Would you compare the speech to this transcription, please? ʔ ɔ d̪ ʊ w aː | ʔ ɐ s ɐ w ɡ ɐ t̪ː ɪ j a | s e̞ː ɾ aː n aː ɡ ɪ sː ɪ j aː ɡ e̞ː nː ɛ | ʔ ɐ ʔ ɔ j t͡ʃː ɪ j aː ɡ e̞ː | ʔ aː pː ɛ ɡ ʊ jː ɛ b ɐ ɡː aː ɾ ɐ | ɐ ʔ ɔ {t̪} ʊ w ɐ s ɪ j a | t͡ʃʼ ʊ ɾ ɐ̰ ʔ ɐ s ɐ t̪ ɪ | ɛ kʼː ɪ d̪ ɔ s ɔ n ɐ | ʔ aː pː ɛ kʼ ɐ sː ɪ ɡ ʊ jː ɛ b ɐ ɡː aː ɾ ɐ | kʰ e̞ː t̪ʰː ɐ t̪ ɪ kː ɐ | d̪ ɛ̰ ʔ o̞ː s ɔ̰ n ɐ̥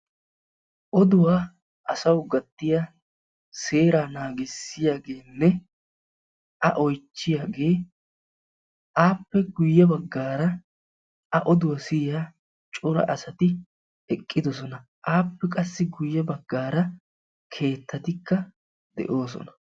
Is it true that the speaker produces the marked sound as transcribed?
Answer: no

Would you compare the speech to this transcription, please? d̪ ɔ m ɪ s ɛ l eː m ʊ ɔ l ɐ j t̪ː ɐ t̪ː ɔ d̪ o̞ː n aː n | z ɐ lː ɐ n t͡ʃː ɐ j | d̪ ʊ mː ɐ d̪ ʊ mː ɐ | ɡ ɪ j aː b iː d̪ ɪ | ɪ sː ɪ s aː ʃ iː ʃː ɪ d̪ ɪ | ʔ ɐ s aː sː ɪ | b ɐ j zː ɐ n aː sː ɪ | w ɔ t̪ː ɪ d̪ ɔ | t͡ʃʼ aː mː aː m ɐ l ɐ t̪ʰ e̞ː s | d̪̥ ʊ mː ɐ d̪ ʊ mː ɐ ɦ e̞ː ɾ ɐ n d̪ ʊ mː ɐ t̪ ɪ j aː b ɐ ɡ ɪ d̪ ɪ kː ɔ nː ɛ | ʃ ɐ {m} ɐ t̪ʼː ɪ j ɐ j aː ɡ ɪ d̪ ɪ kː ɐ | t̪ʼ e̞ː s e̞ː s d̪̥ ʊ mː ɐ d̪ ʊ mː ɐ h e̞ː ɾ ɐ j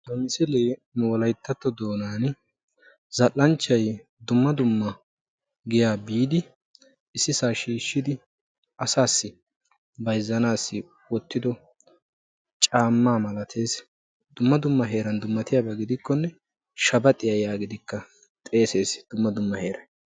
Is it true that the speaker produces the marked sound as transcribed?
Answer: no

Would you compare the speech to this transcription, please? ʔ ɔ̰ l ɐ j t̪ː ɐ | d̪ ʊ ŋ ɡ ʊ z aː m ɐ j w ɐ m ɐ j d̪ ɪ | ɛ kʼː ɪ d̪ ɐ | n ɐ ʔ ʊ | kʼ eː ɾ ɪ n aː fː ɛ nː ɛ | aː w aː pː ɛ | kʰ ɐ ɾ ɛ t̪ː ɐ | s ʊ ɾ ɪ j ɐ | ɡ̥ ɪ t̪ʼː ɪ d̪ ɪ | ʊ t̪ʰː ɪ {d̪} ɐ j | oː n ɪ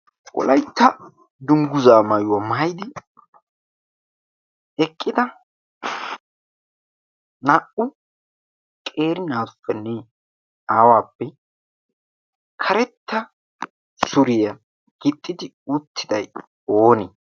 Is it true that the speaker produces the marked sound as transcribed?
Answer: yes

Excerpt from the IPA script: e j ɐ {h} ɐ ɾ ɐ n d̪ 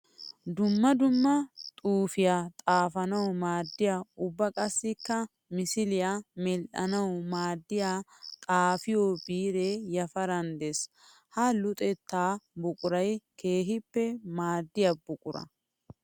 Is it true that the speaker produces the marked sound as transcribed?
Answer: no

